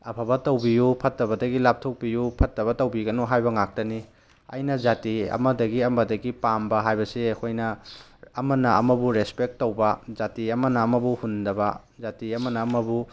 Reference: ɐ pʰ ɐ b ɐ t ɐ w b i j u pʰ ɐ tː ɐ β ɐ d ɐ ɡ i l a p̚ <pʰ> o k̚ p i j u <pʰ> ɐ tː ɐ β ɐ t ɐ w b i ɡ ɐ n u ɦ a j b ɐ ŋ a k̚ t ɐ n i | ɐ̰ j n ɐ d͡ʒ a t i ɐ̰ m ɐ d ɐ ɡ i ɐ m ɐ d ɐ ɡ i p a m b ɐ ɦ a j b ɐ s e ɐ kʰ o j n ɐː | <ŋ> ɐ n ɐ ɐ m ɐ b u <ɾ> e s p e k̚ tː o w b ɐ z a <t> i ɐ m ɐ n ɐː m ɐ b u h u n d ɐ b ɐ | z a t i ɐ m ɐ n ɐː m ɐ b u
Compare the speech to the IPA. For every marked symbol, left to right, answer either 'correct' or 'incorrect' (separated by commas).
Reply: incorrect, correct, incorrect, correct, correct